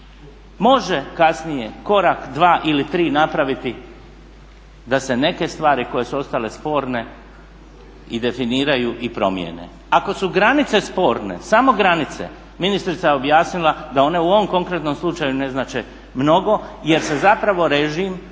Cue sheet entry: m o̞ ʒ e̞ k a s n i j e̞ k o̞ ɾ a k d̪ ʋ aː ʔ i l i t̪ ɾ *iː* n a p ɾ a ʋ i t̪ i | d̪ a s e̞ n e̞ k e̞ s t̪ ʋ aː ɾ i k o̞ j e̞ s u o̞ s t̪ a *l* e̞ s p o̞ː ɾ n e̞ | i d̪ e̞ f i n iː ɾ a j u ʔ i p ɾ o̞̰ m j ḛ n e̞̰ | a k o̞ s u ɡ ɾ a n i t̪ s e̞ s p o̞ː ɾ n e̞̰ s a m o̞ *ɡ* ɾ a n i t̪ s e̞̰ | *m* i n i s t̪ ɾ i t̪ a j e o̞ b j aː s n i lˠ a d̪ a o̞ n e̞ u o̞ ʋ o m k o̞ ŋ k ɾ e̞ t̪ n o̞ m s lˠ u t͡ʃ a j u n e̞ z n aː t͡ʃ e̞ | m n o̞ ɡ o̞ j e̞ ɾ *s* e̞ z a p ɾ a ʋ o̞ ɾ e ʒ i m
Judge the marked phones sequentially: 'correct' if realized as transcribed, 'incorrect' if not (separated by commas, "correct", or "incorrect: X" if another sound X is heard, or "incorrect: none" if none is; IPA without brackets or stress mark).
correct, correct, correct, correct, correct